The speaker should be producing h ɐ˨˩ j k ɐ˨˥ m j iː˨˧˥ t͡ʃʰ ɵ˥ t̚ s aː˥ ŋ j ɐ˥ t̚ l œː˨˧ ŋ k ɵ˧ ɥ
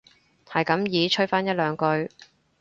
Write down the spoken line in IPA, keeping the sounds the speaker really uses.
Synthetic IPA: h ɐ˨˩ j k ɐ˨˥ m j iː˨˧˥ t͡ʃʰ ɵ˥ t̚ f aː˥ n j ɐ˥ t̚ l œː˨˧ ŋ k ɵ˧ ɥ